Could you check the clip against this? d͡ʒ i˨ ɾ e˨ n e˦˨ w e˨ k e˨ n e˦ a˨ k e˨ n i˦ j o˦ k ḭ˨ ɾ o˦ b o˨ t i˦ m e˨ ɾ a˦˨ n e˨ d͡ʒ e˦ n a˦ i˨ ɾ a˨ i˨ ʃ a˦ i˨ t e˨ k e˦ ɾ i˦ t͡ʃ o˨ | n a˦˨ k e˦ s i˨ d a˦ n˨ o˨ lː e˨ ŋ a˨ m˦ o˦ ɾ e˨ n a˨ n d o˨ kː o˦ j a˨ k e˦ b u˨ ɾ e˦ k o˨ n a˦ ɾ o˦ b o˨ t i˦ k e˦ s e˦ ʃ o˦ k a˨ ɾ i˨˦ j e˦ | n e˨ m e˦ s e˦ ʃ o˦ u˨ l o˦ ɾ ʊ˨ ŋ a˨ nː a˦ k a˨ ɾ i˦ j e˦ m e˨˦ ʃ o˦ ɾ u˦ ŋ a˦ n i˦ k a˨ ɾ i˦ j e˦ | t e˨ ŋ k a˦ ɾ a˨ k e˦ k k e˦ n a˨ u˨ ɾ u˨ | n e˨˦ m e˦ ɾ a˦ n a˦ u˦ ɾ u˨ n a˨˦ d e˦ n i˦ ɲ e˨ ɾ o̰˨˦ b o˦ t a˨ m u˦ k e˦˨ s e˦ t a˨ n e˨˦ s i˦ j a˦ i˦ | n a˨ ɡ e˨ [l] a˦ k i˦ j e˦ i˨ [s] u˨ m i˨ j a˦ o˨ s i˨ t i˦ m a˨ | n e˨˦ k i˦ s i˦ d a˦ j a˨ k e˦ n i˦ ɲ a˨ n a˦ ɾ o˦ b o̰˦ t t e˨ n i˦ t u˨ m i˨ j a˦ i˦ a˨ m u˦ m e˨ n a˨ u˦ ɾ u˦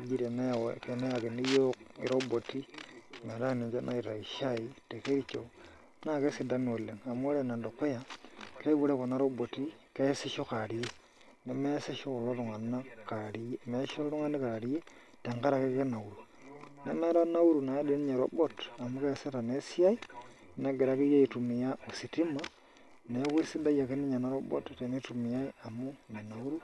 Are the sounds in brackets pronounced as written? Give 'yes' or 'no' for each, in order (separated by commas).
no, no